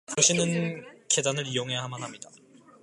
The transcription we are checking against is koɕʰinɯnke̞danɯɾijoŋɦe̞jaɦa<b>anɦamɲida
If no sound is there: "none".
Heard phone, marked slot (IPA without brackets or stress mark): m